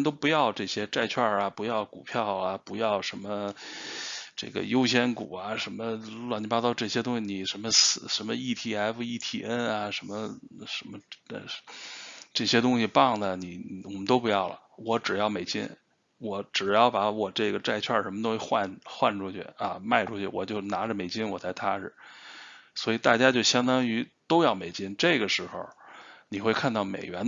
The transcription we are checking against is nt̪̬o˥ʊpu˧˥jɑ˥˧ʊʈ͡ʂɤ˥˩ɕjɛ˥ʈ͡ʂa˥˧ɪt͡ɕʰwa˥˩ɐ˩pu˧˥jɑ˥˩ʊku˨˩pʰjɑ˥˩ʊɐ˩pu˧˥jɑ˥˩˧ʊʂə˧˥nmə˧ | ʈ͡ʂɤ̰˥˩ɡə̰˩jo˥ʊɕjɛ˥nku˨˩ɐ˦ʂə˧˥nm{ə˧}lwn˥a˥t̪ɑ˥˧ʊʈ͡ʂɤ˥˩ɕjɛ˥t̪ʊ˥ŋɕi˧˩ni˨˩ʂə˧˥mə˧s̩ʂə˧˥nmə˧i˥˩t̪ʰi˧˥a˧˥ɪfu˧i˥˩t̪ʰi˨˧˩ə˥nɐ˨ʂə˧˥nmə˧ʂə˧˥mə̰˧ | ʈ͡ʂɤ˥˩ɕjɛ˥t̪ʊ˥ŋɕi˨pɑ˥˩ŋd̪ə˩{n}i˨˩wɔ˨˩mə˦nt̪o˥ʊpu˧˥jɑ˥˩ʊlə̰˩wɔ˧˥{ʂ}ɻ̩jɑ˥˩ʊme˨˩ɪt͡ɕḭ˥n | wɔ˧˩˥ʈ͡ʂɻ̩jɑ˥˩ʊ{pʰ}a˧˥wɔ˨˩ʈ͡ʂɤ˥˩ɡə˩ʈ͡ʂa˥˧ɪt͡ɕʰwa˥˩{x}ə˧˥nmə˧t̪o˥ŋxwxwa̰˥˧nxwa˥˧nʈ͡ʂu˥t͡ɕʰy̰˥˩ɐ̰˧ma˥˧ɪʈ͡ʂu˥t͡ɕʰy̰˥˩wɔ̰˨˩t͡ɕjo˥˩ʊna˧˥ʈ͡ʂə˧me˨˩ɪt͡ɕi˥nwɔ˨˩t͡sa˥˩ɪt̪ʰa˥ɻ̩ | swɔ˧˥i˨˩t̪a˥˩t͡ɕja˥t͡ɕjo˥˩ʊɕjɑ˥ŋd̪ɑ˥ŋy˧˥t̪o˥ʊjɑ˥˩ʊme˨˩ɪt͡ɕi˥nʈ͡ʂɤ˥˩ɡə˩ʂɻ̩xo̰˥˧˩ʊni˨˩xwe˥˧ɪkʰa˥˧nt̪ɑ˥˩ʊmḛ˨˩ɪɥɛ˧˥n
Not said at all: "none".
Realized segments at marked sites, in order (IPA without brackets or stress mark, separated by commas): ə˧, n, ʈ͡ʂ, p, ʂ